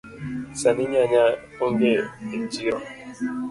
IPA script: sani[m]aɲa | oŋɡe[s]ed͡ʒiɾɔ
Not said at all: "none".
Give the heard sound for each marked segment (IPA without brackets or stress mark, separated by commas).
ɲ, none